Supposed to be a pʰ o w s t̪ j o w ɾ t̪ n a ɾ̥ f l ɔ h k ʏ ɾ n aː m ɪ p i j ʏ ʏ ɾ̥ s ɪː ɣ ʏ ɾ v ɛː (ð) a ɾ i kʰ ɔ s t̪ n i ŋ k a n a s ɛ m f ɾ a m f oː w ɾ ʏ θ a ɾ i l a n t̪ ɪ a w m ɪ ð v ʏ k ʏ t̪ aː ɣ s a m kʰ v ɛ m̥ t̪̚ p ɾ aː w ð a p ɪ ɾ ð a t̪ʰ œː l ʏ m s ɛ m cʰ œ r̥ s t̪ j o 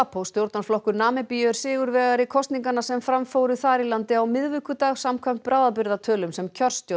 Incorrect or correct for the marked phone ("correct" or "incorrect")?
incorrect